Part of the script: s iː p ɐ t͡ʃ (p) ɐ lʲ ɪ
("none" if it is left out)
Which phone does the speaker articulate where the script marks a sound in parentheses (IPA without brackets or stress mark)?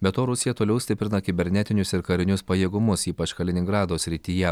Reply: k